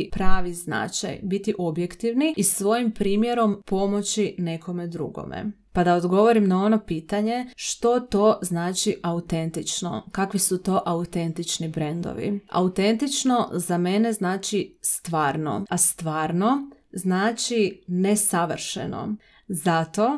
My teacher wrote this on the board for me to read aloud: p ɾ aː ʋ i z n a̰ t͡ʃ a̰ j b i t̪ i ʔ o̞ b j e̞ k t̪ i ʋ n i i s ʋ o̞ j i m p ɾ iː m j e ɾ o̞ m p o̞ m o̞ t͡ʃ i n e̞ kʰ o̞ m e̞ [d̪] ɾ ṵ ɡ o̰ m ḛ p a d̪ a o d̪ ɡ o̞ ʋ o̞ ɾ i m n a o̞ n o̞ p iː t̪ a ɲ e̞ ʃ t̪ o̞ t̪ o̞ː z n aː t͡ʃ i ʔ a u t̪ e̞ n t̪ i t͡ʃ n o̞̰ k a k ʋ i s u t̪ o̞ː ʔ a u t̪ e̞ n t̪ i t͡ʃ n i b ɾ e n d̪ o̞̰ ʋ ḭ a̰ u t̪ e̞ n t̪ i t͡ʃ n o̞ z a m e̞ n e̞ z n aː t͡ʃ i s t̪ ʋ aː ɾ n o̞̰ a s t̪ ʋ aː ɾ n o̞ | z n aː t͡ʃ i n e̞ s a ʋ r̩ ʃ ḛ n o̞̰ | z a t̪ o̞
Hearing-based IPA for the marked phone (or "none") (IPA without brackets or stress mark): d̪